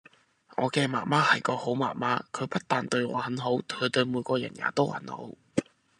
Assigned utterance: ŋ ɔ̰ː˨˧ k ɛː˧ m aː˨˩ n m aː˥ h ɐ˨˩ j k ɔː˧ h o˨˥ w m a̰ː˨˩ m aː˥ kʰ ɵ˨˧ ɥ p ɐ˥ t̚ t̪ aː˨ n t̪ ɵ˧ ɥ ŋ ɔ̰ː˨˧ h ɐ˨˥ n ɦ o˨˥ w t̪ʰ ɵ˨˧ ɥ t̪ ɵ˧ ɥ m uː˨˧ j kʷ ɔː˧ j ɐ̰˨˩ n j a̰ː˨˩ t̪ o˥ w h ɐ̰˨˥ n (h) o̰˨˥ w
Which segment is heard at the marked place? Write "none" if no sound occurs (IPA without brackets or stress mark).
h